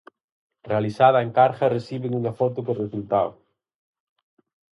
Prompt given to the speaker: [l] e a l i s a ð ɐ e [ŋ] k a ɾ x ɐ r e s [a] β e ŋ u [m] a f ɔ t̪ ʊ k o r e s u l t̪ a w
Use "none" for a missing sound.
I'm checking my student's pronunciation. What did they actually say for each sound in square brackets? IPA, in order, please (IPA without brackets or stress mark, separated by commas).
r, ŋ, i, ŋ